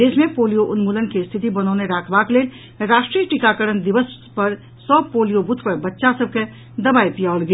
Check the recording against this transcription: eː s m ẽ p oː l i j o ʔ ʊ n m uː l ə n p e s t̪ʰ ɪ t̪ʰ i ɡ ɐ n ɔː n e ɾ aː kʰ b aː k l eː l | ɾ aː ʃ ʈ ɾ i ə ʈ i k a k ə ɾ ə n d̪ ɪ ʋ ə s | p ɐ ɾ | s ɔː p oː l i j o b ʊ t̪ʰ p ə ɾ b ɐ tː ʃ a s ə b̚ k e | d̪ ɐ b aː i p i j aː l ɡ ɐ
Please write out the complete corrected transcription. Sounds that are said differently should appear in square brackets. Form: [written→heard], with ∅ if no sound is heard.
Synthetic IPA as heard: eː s m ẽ p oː l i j o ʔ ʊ n m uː l ə n [p→k] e s t̪ʰ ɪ [t̪ʰ→t̪] i [ɡ→b] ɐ n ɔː n e ɾ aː kʰ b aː k l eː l | ɾ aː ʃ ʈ ɾ i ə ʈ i k a k ə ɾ ə n d̪ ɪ ʋ ə s | p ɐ ɾ | s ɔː p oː l i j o b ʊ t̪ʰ p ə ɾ b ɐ tː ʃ a s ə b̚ k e | d̪ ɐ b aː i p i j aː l ɡ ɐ